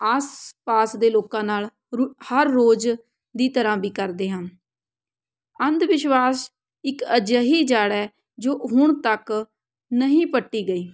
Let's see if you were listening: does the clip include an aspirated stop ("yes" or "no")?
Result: no